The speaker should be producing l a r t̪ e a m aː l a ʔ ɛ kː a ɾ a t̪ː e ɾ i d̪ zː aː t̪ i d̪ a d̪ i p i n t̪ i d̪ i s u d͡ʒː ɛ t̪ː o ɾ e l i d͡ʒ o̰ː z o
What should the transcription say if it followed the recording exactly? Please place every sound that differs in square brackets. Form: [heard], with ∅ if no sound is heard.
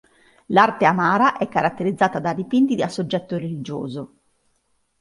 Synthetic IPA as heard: l a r t̪ e a m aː [ɾ] a ʔ ɛ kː a ɾ a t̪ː e ɾ i d̪ zː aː t̪ [a] d̪ a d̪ i p i n t̪ i d̪ [a] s [o] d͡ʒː ɛ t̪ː o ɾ e l i d͡ʒ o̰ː z o

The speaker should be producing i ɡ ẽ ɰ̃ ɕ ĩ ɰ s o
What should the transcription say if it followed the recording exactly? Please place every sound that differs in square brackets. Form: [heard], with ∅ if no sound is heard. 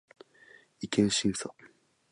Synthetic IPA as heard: i [k] ẽ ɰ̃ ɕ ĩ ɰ s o

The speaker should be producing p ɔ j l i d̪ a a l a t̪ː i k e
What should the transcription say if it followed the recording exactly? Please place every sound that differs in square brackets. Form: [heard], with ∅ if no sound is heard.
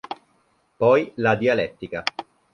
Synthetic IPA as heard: p ɔ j l [a] d̪ [i] a l [ɛ] t̪ː i k [a]

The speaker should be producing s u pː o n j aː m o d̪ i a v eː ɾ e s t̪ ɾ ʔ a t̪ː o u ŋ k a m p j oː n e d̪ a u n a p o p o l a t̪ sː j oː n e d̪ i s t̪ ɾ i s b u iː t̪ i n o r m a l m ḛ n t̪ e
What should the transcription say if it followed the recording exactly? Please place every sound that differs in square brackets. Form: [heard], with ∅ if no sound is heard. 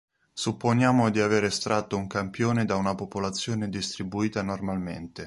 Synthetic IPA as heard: s u pː o n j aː m o d̪ i a v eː ɾ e s t̪ ɾ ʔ a t̪ː o u ŋ k a m p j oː n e d̪ a u n a p o p o l a t̪ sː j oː n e d̪ i s t̪ ɾ i [∅] b u iː t̪ [a] n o r m a l m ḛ n t̪ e

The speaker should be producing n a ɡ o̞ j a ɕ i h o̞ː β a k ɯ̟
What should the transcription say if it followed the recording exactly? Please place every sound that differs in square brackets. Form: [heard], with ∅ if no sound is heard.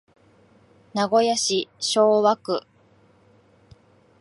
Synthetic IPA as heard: n a ɡ o̞ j a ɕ i [ɕ] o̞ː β a k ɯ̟

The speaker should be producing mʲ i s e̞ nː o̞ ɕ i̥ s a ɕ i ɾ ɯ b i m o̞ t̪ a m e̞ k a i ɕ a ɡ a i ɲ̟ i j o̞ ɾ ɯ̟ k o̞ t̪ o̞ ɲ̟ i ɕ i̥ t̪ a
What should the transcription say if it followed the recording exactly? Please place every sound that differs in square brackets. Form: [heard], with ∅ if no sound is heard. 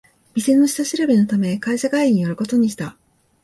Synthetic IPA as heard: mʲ i s e̞ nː o̞ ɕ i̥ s a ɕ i ɾ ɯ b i [n] o̞ t̪ a m e̞ k a i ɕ a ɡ a i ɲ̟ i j o̞ ɾ ɯ̟ k o̞ t̪ o̞ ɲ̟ i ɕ i̥ t̪ a

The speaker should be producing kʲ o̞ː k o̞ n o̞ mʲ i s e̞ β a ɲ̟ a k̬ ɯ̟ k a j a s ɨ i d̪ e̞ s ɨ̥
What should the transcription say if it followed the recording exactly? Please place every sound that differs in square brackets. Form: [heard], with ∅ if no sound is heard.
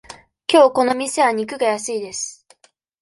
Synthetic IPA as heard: kʲ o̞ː k o̞ n o̞ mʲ i s e̞ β a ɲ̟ [i] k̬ ɯ̟ [ɡ] a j a s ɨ i d̪ e̞ s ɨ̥

